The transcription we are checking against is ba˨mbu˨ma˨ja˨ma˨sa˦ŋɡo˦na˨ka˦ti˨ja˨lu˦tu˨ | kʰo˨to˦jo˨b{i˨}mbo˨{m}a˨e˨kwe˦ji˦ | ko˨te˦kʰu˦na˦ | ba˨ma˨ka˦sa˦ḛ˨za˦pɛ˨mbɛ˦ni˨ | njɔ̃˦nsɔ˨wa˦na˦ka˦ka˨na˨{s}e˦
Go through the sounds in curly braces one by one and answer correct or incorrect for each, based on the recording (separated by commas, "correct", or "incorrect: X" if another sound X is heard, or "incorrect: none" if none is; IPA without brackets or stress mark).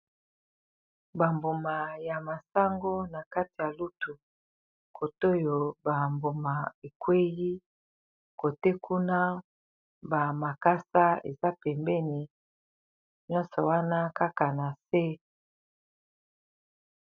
incorrect: a˨, correct, correct